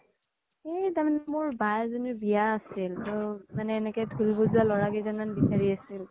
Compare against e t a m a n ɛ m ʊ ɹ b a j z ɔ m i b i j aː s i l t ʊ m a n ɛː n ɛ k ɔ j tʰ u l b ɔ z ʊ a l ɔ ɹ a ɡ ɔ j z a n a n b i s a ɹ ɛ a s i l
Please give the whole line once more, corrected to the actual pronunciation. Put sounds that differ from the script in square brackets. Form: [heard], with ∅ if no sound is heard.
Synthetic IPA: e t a m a n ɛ m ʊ ɹ b a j z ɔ [n] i b i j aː s i l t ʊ m a n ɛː n ɛ k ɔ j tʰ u l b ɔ z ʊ a l ɔ ɹ a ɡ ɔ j z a n a n b i s a ɹ [i] a s i l